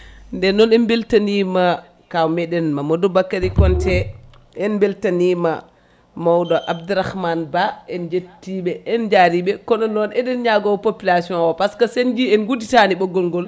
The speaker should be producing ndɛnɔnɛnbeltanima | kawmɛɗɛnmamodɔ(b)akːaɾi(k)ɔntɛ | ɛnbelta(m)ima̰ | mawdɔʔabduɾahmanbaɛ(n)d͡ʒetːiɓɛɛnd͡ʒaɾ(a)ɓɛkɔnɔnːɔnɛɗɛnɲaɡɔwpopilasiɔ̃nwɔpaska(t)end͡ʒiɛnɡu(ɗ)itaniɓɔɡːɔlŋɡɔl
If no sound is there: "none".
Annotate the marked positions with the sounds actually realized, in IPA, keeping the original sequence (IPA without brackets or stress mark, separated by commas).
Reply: b, k, n, n, i, s, d